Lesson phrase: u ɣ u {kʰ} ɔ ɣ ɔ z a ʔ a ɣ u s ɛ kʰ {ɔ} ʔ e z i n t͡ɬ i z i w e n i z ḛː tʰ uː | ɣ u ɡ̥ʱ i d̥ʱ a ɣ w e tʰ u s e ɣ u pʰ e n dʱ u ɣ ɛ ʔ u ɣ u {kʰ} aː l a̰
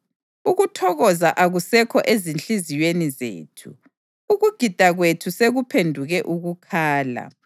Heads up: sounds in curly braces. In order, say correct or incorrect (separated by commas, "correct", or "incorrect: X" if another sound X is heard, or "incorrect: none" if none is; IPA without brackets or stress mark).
incorrect: tʰ, correct, correct